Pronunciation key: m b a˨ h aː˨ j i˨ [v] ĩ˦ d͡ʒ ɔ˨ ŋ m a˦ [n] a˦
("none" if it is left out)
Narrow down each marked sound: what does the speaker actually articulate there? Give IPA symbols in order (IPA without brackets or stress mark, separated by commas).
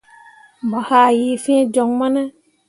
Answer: f, n